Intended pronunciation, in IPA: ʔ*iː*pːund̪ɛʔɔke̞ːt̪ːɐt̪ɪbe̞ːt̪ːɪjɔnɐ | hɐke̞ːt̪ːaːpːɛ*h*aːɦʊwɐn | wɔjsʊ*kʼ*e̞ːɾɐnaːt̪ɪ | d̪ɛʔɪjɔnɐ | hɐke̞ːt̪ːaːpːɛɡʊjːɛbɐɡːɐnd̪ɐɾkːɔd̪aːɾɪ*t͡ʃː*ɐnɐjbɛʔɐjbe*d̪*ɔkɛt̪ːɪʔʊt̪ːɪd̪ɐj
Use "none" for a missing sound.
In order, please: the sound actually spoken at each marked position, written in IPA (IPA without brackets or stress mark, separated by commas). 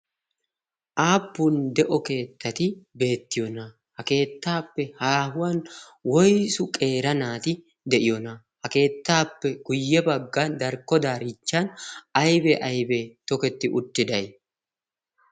aː, h, kʼ, t͡ʃː, t̪